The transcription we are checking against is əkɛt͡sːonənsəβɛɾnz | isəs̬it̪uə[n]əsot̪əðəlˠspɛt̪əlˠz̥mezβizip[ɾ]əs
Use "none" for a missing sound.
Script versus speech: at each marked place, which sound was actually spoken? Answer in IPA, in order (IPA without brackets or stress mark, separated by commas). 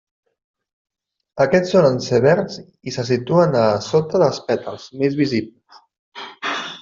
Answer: n, l